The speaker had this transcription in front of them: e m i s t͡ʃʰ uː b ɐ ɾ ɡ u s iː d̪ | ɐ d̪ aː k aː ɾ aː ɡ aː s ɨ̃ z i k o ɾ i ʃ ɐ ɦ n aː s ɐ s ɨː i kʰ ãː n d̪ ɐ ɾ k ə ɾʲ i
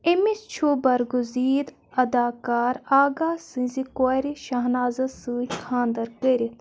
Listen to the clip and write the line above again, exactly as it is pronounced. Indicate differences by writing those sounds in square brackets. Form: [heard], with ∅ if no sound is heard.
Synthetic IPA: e m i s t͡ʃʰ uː b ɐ ɾ ɡ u [z] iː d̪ | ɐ d̪ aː k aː ɾ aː ɡ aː s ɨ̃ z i k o ɾ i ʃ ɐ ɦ n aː [z] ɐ s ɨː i kʰ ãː n d̪ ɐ ɾ k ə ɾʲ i